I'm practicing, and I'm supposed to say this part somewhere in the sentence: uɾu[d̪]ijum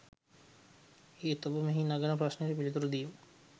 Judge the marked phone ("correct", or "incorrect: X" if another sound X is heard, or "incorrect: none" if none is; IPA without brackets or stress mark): correct